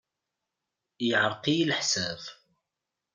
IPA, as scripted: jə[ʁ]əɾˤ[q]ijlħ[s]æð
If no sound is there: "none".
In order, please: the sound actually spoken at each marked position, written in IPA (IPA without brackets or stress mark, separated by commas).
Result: ʕ, q, s